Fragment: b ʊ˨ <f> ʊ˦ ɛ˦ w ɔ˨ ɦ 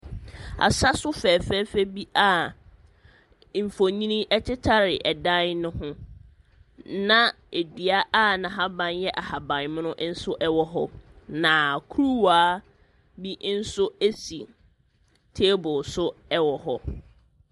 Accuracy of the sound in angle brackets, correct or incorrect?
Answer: incorrect